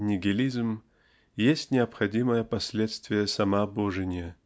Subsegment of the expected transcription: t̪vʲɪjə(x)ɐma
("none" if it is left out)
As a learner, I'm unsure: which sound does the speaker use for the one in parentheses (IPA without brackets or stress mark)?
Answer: s